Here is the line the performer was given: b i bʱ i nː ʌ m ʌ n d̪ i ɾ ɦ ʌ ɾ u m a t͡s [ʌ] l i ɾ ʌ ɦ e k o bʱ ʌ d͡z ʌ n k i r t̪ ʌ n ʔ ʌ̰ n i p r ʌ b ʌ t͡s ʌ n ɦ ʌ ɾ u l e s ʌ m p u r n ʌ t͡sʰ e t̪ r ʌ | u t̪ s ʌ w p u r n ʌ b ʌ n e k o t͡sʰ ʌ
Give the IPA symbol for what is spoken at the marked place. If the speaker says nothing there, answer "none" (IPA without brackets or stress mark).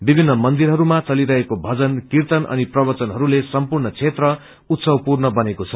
ʌ